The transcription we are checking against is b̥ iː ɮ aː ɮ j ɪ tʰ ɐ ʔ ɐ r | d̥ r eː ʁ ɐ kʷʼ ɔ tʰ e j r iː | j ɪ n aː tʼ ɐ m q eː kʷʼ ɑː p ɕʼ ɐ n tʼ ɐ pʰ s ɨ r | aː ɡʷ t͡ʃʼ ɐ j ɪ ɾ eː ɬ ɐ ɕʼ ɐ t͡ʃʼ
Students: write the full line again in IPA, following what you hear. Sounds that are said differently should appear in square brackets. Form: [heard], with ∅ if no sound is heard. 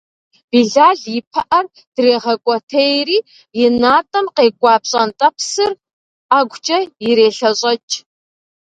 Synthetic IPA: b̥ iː ɮ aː ɮ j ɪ [pʰ] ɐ ʔ ɐ r | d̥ r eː ʁ ɐ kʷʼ ɔ tʰ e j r iː | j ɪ n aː tʼ ɐ m q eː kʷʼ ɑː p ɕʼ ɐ n tʼ ɐ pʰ s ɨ r | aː ɡʷ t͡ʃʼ ɐ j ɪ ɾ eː ɬ ɐ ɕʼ ɐ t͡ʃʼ